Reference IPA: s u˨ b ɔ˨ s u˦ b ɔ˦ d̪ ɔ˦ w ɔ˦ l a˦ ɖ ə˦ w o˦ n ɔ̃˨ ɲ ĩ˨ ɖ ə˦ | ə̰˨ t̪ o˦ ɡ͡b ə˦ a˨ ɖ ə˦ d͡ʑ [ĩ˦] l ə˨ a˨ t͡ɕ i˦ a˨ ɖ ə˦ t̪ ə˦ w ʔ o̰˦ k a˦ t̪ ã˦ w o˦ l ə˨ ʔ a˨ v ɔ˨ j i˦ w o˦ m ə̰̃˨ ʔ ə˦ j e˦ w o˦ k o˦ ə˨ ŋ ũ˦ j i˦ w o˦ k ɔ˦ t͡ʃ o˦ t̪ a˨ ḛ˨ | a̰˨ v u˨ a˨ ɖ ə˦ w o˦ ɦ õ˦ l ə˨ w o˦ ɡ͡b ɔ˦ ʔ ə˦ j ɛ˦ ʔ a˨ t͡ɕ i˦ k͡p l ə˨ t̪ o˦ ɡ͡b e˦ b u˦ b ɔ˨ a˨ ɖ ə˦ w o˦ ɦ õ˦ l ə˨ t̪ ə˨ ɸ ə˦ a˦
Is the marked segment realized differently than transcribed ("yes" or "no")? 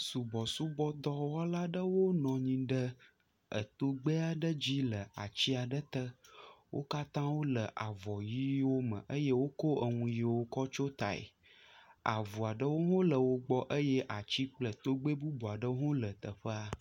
yes